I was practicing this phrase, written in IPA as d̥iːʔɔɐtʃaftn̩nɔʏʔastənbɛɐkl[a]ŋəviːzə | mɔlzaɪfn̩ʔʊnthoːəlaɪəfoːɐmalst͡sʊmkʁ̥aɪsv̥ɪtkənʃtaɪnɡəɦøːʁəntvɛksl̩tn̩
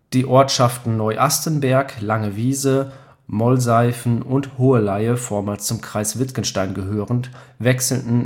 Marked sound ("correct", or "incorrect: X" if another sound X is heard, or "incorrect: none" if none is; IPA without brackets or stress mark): correct